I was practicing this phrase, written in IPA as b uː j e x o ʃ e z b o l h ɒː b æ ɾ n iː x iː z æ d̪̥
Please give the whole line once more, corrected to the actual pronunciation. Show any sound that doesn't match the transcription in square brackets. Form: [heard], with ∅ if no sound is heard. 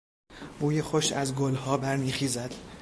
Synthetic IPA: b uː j e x o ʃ [æ] z [ɡ] o l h ɒː b æ ɾ n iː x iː z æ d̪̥